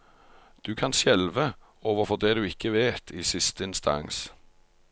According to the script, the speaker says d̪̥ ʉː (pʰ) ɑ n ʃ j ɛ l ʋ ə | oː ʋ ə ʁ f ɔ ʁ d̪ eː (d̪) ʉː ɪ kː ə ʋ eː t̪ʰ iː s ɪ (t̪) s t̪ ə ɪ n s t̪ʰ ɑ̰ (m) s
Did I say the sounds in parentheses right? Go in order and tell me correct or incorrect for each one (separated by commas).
incorrect, correct, incorrect, incorrect